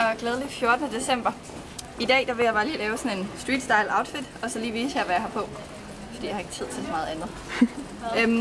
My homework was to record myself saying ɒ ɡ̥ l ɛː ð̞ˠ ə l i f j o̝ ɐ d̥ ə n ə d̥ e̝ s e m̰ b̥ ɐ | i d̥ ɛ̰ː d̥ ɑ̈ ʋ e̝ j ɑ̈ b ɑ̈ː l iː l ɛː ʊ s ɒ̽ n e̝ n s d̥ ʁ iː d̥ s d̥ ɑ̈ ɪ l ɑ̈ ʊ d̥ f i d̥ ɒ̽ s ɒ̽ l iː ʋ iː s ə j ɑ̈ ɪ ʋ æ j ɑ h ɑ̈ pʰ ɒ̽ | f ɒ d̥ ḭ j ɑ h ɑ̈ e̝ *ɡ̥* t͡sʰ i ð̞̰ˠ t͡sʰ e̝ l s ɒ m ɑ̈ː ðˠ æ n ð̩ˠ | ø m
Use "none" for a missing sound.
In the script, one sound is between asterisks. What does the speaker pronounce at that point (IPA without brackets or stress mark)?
ɡ̥